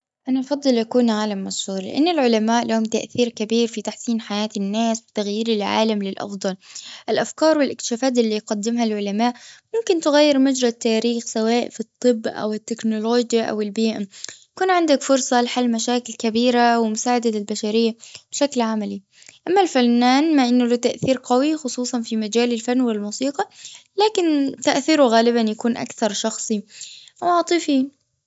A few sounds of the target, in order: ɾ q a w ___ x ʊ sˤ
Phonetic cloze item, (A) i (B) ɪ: A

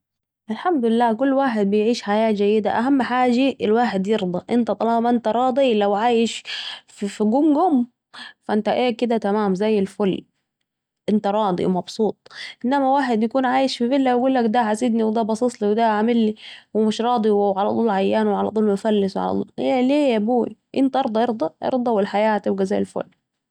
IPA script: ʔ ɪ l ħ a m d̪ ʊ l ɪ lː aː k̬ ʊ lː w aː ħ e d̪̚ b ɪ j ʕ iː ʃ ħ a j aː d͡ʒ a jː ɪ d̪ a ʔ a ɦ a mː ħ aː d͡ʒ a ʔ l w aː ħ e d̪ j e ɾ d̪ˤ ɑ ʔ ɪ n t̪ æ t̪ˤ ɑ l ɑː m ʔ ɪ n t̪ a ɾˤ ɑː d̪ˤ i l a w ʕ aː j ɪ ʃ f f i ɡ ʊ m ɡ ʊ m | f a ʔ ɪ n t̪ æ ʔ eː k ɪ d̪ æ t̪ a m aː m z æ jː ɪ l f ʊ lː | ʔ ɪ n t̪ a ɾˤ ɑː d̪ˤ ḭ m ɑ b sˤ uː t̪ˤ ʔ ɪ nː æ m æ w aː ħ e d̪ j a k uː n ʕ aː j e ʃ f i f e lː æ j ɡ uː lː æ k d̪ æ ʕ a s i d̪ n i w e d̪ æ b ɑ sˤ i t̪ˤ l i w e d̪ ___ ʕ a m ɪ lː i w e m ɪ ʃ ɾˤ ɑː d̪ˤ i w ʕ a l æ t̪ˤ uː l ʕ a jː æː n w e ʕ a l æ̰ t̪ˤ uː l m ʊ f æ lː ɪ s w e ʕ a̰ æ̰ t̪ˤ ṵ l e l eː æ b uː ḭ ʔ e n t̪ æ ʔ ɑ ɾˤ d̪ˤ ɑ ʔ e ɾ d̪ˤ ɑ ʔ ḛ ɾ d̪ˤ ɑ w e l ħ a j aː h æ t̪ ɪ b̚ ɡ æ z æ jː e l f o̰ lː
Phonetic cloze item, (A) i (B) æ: B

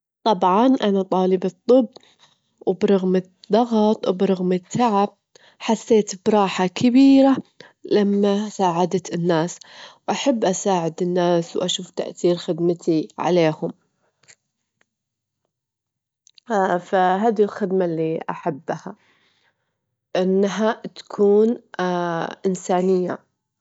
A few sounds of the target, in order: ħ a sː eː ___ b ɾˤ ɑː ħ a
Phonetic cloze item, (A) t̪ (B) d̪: A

